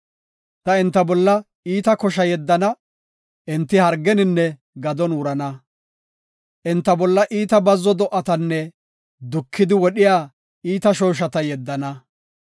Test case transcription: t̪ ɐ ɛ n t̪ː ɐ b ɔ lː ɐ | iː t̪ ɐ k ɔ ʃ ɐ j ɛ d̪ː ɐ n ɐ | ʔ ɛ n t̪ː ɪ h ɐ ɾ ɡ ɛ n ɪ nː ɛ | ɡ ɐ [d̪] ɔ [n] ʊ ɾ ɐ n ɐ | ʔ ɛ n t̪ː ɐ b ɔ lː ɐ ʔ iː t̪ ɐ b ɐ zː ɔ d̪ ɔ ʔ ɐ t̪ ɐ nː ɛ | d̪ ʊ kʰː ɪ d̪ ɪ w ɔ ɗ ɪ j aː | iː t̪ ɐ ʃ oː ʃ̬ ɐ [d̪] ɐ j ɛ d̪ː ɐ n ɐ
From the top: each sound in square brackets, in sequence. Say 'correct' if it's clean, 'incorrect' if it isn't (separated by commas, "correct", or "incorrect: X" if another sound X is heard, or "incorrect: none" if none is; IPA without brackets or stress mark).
correct, correct, incorrect: t̪